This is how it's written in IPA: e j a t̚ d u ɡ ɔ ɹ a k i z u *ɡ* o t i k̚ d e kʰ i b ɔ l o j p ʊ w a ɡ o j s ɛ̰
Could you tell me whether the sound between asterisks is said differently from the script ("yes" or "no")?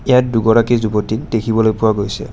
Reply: yes